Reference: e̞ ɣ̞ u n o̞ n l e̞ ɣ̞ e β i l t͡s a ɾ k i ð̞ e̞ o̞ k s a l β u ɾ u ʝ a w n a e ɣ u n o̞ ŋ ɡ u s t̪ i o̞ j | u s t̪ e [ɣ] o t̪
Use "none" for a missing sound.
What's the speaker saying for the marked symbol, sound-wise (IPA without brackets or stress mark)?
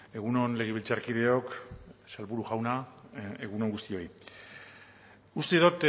ð